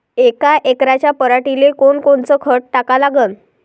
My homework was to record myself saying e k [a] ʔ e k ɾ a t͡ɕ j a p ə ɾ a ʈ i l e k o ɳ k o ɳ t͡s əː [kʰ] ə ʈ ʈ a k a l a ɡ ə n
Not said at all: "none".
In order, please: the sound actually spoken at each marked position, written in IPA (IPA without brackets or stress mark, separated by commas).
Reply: a, kʰ